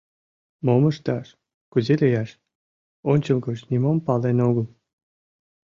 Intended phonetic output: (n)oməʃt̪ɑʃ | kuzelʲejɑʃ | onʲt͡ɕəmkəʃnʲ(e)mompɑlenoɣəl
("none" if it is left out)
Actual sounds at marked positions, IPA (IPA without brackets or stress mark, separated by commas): m, i